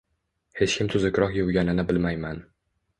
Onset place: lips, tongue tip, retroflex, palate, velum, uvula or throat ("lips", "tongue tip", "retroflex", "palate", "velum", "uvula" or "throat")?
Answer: throat